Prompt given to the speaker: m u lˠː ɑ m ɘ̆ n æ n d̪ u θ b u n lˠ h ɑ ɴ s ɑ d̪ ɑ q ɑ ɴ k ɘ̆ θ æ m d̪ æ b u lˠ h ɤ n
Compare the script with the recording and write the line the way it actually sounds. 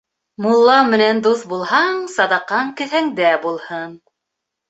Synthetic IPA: m u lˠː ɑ m ɘ̆ n æ n d̪ u θ b u lˠ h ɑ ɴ s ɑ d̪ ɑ q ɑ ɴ k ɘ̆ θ æ ŋ d̪ æ b u lˠ h ɤ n